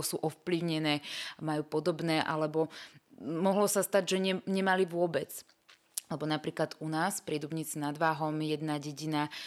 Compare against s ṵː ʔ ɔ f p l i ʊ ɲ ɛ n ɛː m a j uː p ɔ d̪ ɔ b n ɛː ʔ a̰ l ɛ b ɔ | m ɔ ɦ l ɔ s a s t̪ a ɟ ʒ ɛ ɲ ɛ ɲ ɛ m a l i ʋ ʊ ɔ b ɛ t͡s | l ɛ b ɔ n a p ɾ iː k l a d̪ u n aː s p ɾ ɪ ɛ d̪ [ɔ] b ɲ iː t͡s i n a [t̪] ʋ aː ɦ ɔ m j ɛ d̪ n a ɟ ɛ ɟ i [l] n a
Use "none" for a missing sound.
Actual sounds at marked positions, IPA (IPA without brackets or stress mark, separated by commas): u, d̪, none